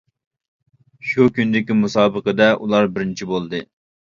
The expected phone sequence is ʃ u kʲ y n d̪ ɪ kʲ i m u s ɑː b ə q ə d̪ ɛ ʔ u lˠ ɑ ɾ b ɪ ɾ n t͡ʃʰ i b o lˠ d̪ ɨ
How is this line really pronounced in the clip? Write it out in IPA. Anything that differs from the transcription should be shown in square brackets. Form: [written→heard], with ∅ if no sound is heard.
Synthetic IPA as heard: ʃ u kʲ y n d̪ ɪ kʲ i m u s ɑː b ə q ə d̪ ɛ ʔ u lˠ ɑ ɾ b ɪ ɾ n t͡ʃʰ i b o lˠ d̪ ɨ